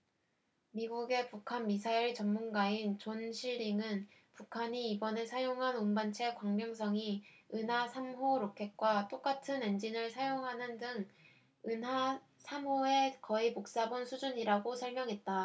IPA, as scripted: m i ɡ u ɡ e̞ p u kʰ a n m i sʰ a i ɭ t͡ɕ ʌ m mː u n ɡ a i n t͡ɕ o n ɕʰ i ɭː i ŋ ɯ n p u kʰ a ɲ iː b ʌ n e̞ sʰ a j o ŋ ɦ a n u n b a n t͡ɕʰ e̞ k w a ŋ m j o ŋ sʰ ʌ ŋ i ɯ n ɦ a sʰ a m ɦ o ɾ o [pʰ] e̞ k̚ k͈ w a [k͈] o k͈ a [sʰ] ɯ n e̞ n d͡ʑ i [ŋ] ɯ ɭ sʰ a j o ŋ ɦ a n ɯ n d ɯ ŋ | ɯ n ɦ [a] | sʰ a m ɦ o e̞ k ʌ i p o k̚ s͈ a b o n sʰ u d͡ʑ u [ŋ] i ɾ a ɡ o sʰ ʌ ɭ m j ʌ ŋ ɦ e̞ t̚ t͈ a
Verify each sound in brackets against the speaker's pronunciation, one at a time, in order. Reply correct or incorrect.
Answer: incorrect: kʰ, incorrect: t͈, incorrect: tʰ, incorrect: n, correct, incorrect: ɲ

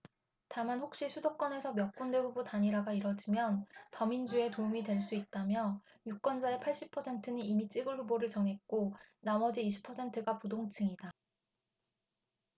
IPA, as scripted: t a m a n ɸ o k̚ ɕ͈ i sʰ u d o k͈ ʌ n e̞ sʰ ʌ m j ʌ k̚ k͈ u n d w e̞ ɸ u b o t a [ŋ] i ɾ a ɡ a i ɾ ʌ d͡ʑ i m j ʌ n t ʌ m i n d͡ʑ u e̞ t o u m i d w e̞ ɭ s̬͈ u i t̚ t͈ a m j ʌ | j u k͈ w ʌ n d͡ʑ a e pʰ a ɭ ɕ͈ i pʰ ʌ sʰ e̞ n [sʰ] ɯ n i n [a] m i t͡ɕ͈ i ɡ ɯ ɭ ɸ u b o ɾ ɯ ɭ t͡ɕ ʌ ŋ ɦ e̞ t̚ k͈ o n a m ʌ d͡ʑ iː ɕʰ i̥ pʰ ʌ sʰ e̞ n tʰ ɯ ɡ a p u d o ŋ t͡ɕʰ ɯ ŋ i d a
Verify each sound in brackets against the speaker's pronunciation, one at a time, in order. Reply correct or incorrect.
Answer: incorrect: ɲ, incorrect: tʰ, incorrect: i

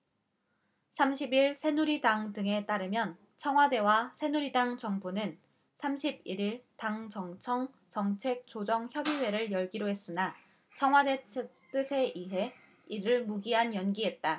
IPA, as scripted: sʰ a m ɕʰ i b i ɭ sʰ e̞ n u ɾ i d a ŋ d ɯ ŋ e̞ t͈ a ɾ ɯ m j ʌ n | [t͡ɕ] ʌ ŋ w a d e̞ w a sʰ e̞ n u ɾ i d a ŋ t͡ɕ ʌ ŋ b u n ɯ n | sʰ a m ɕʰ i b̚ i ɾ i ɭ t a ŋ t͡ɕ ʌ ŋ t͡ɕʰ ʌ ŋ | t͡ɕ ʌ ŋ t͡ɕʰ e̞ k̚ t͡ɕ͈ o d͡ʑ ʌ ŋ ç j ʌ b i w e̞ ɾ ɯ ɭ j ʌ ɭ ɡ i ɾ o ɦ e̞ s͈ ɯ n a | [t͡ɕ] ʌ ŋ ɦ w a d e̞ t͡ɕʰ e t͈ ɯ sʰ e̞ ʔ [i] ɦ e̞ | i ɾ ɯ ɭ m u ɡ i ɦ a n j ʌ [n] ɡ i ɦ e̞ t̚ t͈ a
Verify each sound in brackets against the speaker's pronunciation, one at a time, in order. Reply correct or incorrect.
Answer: incorrect: t͡ɕʰ, incorrect: t͡ɕʰ, correct, correct

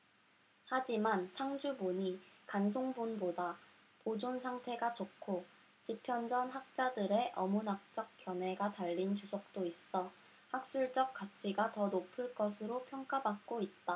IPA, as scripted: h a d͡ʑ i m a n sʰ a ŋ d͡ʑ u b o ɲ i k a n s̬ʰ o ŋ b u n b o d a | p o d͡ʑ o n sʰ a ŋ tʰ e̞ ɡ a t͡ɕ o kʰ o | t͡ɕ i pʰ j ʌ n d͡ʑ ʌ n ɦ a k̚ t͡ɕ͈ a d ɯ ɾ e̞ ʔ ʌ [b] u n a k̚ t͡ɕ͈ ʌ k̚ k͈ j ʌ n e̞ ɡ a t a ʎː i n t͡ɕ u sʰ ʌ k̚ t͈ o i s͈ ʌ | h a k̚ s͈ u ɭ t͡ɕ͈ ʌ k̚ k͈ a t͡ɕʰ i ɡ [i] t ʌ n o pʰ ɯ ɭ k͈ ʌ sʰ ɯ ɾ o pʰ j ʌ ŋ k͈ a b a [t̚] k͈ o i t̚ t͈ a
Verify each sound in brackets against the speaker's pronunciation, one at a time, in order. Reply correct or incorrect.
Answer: incorrect: m, incorrect: a, incorrect: k̚

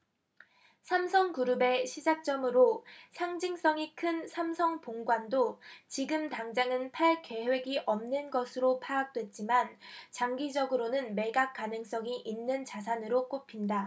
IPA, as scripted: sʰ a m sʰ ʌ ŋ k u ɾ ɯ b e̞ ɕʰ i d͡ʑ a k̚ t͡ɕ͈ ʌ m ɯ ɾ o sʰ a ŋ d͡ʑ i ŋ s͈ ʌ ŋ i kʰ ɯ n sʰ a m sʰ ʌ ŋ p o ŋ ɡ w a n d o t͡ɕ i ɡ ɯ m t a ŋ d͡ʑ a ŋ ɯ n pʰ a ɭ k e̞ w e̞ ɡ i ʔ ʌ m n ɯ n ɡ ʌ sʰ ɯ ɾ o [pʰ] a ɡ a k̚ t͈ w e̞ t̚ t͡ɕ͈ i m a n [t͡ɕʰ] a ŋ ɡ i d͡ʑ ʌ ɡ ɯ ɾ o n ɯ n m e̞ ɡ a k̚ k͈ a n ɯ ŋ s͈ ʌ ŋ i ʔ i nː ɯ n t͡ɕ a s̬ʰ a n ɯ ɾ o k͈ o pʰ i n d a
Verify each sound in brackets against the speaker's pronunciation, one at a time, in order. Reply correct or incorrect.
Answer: correct, incorrect: t͡ɕ

